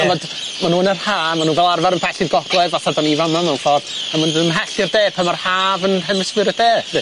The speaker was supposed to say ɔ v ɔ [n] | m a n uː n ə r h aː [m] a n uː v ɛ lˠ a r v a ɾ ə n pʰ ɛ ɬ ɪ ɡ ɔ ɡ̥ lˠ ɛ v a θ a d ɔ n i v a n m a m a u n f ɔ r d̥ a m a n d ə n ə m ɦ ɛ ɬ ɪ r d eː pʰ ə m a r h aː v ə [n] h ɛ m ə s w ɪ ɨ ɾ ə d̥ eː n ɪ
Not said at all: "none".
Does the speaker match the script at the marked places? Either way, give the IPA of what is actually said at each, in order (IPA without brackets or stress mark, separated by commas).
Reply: d, m, n